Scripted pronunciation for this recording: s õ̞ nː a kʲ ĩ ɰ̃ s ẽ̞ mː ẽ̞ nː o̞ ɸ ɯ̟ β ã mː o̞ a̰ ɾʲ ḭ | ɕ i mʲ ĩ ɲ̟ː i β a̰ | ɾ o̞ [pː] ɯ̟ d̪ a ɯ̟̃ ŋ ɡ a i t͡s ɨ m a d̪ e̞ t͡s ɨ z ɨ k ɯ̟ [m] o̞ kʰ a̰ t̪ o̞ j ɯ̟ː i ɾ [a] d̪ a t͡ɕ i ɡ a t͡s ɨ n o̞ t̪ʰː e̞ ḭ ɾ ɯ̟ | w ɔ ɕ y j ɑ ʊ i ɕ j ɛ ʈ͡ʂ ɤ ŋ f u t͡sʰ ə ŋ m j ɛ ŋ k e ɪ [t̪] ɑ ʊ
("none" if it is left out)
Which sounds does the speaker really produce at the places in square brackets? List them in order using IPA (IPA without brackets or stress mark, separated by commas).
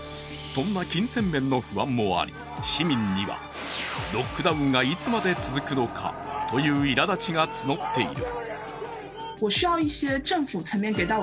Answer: kː, n, a, t̪